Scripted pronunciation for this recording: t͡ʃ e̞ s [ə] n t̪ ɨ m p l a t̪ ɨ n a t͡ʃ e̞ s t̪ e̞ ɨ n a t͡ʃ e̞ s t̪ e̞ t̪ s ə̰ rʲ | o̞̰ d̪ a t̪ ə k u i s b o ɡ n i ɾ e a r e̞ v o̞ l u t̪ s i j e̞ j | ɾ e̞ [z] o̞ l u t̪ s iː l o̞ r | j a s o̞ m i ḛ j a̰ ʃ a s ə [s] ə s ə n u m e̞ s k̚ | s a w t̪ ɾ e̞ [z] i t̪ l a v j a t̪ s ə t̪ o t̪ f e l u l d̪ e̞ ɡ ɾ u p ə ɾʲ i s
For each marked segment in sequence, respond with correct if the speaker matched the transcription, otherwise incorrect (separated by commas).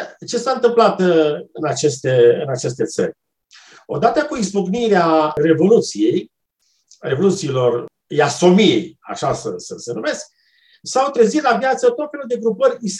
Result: incorrect, incorrect, correct, correct